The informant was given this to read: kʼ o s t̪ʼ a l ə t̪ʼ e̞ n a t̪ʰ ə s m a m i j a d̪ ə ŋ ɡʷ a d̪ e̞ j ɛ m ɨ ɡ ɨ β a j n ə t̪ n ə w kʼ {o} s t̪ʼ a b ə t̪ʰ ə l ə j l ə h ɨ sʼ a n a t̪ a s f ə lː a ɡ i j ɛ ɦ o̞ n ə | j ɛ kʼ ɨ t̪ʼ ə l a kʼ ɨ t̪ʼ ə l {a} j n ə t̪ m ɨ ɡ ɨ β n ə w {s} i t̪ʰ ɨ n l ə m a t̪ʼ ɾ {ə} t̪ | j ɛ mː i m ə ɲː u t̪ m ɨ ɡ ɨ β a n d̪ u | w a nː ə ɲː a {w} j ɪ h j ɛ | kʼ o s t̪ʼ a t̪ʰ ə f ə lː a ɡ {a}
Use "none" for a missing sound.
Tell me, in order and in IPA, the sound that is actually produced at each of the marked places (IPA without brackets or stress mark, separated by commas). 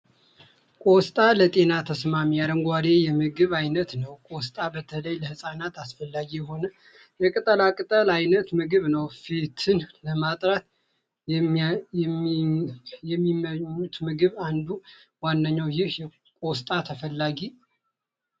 o, a, f, a, w, i